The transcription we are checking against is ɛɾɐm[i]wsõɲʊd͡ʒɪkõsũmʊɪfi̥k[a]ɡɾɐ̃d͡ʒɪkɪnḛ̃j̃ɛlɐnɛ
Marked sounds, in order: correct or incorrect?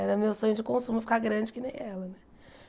incorrect: e, correct

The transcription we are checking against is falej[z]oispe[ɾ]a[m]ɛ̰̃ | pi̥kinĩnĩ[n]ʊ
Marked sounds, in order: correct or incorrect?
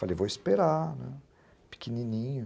incorrect: v, correct, incorrect: n, incorrect: ɲ

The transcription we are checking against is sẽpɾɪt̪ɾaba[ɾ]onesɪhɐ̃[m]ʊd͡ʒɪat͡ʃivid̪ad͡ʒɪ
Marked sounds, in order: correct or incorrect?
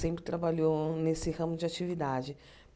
incorrect: ʎ, correct

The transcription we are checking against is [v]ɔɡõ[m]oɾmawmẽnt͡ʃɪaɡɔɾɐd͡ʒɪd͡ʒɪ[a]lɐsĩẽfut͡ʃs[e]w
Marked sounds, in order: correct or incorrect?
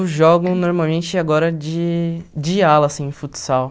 incorrect: ʒ, incorrect: n, correct, incorrect: a

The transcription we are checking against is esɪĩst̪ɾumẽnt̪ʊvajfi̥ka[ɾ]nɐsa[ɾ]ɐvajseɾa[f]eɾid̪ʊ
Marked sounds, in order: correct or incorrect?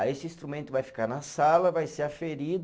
correct, incorrect: l, correct

